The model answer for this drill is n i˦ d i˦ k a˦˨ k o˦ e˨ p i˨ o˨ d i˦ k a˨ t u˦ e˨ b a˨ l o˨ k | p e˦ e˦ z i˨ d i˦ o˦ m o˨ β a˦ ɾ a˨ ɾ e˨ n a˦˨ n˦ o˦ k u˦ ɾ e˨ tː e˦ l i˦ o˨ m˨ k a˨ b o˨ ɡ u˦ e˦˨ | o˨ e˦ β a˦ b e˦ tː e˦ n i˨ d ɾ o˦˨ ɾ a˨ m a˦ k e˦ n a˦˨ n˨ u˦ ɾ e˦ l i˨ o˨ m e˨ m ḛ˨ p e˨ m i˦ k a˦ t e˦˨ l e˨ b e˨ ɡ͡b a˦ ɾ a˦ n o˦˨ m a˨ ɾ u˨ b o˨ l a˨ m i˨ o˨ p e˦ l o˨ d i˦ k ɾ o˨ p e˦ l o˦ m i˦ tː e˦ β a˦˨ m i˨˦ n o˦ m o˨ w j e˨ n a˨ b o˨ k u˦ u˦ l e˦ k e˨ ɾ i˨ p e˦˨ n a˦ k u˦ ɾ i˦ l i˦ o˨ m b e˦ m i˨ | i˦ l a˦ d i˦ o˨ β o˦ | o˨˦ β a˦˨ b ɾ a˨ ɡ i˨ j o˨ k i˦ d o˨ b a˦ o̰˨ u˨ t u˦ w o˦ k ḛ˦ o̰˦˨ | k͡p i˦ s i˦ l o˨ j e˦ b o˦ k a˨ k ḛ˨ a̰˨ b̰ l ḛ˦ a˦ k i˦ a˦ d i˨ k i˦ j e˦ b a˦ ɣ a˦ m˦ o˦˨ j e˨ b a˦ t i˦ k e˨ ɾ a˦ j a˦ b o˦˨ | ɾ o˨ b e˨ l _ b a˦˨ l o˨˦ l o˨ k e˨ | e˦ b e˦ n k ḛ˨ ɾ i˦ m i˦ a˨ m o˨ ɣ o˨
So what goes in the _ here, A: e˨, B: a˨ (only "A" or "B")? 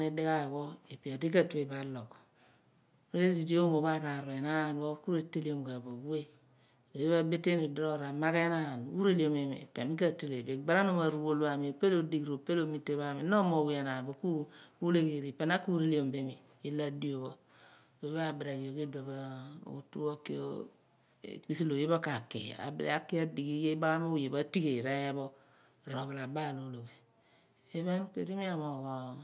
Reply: B